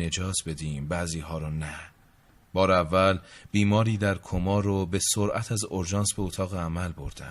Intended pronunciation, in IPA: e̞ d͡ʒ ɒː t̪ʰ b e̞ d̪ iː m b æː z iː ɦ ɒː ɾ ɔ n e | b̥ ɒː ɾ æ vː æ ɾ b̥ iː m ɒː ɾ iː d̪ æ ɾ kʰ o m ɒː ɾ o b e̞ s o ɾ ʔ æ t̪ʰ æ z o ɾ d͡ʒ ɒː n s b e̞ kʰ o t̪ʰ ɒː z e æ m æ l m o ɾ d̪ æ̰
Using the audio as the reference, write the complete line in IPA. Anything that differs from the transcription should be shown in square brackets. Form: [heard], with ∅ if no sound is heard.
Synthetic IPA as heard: e̞ d͡ʒ ɒː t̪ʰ b e̞ d̪ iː m b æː z iː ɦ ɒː ɾ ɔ n [æ] | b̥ ɒː ɾ æ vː æ [l] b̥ iː m ɒː ɾ iː d̪ æ ɾ kʰ o m ɒː ɾ o b e̞ s o ɾ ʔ æ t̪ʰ æ z o ɾ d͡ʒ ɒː n s b e̞ [∅] o t̪ʰ ɒː [ɣ] e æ m æ l [b] o ɾ d̪ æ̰